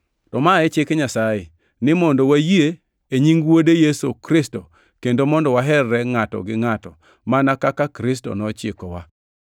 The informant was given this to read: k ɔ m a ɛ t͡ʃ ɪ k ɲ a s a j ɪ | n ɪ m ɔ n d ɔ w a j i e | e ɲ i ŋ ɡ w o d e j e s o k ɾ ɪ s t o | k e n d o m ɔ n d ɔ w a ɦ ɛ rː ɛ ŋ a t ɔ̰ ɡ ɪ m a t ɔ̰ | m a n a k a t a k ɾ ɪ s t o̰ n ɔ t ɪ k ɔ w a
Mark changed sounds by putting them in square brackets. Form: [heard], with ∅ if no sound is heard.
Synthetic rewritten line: [t] ɔ m a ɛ t͡ʃ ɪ k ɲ a s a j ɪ | n ɪ m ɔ n d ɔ w a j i e | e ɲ i ŋ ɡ w o d e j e s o k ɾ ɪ s t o | k e n d o m ɔ n d ɔ w a ɦ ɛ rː ɛ ŋ a t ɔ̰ ɡ ɪ [ŋ] a t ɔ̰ | m a n a k a [k] a k ɾ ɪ s t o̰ n ɔ [t͡ʃ] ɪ k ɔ w a